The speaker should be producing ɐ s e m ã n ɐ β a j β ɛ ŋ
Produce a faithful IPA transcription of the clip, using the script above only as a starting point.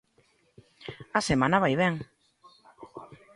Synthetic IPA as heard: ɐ s e m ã n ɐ β a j β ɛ ŋ